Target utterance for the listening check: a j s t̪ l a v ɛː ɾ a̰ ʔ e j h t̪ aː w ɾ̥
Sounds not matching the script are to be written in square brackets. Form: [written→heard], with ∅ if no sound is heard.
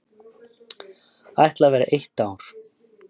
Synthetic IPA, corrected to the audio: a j [s→h] t̪ l a v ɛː ɾ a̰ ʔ e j h t̪ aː w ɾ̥